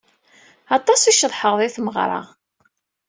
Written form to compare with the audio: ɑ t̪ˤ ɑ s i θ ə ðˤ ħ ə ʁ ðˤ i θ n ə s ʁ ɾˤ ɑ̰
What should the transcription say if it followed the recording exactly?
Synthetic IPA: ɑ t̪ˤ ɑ s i ʃ ə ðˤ ħ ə ʁ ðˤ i θ m ə ʁ ɾˤ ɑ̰

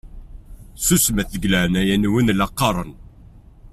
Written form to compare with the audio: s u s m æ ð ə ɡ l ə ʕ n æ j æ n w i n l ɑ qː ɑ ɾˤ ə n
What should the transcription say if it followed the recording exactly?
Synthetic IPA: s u s m æ θ ə ɡ l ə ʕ n æ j æ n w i n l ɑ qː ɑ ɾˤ ə n

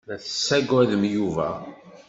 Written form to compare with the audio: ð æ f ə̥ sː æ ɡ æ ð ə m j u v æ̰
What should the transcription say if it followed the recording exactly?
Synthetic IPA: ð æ θ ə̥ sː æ ɡ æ ð ə m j u v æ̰

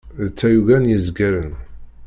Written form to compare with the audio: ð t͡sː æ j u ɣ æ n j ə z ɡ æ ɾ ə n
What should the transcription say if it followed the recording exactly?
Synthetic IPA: ð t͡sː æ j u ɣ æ n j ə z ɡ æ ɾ ə n

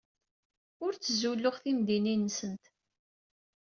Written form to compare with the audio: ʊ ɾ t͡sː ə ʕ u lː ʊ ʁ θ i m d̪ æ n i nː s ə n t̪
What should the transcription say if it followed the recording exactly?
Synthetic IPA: ʊ ɾ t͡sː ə z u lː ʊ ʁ θ i m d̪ i n i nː s ə n t̪

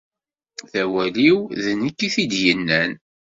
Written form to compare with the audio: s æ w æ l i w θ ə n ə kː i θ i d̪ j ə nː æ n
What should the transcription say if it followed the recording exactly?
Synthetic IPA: θ æ w æ l i w ð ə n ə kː i θ i d̪ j ə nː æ n

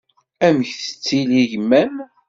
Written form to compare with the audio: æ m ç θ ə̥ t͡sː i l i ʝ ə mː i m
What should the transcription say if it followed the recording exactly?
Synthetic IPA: æ m ç θ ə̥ t͡sː i l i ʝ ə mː æ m

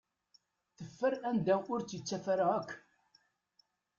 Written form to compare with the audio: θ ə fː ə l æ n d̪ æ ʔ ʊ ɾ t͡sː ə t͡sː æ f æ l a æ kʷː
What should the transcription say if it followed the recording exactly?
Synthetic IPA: θ ə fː ə ɾ æ n d̪ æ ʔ ʊ ɾ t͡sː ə t͡sː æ f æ ɾ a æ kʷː

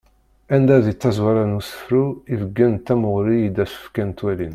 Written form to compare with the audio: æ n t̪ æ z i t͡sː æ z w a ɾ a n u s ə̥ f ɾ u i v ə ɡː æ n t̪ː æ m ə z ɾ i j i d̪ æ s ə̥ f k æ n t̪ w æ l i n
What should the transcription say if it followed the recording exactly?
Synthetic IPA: æ n d̪ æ ð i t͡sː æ z w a ɾ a n u s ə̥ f ɾ u i v ə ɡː æ n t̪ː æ m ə ʁ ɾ i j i d̪ æ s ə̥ f k æ n t̪ w æ l i n

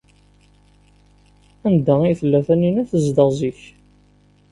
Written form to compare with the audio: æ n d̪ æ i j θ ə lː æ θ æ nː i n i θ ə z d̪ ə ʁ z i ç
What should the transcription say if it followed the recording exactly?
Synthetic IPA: æ n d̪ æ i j θ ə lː æ θ æ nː i n æ θ ə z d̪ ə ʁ z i ç

